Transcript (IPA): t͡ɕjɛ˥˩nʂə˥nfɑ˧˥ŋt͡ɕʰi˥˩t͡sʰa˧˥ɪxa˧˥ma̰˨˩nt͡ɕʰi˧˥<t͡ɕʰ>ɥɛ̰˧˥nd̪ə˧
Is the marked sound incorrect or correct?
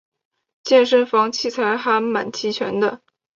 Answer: correct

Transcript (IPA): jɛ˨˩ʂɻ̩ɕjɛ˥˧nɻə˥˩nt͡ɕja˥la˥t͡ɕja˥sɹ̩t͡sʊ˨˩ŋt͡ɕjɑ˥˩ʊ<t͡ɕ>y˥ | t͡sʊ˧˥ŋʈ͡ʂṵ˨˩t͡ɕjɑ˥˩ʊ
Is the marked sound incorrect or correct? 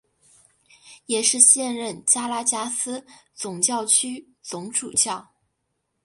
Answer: incorrect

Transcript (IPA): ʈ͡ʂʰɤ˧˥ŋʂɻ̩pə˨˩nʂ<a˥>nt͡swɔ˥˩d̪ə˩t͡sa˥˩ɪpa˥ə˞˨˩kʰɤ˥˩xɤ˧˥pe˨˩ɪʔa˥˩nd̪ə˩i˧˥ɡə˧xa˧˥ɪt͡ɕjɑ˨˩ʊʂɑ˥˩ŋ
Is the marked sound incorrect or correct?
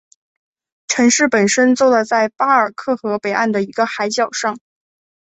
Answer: incorrect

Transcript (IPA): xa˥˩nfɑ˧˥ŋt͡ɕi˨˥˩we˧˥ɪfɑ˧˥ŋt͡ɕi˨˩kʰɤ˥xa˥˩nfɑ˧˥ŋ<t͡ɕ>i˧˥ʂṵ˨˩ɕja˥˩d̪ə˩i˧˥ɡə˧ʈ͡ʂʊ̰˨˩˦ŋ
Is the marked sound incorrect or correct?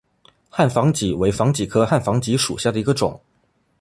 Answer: correct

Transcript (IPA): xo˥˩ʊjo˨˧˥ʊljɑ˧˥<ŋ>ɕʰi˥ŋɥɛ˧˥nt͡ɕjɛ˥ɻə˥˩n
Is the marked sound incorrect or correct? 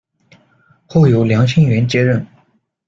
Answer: correct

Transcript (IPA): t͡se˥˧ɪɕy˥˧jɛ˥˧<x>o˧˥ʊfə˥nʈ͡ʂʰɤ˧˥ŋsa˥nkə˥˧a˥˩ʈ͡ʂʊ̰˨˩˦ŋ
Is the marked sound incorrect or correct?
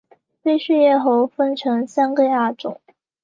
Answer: correct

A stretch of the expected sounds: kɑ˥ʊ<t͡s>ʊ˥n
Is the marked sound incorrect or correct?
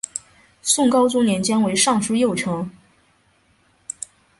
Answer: correct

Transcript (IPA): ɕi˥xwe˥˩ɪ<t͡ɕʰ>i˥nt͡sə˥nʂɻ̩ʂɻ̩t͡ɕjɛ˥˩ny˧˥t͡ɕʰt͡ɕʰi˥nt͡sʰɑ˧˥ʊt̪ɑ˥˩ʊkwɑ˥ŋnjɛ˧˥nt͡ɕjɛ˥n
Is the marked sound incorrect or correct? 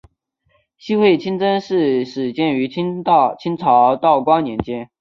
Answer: correct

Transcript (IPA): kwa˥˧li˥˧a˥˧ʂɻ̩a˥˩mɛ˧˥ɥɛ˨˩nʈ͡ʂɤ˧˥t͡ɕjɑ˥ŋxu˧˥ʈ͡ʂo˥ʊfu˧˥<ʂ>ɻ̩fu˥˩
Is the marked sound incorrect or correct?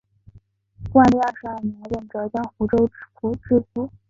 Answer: incorrect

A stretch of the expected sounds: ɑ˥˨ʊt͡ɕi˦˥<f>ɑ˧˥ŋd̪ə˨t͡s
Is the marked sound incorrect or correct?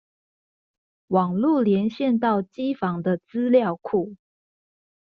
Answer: correct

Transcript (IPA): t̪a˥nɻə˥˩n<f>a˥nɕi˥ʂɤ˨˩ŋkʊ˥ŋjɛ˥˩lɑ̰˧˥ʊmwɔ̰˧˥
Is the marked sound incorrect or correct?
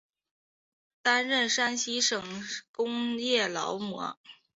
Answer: incorrect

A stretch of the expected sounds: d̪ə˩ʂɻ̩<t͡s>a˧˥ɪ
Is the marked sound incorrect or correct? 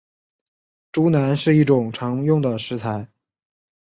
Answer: incorrect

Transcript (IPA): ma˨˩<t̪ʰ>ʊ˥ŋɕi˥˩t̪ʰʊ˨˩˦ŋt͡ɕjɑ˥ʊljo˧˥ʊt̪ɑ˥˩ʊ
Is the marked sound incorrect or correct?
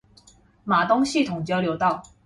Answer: incorrect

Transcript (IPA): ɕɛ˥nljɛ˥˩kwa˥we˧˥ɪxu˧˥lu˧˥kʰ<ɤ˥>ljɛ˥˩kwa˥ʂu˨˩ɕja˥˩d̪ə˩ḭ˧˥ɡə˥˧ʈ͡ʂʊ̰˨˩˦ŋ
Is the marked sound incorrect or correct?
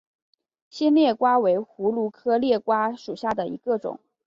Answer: correct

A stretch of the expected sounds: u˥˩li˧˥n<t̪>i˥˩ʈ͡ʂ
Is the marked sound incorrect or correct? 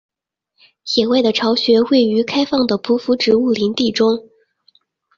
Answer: correct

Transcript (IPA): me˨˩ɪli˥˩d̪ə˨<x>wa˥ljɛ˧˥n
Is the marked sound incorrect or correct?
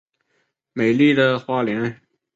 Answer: correct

